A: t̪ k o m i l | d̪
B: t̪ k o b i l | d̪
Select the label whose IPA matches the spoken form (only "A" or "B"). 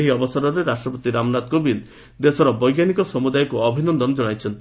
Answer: B